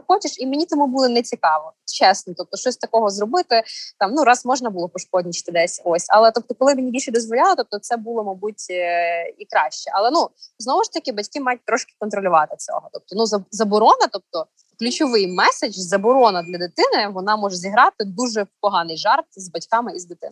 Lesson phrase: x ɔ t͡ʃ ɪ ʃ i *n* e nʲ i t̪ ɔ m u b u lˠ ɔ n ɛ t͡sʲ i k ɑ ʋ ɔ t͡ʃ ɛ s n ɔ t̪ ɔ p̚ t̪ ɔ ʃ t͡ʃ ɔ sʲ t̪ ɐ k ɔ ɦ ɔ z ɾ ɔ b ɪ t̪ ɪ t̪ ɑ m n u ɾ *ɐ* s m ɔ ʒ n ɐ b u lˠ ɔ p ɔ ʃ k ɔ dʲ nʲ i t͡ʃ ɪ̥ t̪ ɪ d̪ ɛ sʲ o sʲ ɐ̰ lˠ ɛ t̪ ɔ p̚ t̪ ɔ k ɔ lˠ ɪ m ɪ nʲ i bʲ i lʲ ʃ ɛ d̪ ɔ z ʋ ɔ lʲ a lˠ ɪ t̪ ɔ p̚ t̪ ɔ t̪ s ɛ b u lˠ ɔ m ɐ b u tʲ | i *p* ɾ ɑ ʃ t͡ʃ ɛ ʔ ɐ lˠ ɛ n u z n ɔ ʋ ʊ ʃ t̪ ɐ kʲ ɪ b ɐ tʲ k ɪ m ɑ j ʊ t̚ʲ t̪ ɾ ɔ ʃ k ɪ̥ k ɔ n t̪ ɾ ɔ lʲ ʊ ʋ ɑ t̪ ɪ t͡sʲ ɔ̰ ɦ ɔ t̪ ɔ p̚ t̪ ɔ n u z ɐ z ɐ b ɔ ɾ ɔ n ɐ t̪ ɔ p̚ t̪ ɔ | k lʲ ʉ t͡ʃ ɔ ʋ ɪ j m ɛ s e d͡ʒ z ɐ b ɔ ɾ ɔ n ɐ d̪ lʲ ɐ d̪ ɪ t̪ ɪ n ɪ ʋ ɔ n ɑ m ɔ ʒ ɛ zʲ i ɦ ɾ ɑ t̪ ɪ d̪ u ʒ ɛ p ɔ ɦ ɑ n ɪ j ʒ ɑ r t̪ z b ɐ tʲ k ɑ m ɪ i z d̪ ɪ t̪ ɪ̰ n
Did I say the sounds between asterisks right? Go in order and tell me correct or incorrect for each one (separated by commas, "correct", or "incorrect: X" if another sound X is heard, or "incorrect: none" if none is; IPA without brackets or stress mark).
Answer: incorrect: m, incorrect: ɑ, incorrect: k